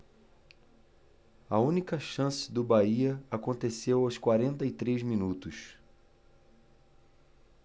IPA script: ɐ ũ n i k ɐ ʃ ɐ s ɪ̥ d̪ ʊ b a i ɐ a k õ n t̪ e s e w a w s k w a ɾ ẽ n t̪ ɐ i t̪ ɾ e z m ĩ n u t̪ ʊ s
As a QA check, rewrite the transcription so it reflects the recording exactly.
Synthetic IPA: ɐ ũ n i k ɐ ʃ ɐ̃ s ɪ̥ d̪ ʊ b a i ɐ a k õ n t̪ e s e w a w s k w a ɾ ẽ n t̪ ɐ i t̪ ɾ e z m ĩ n u t̪ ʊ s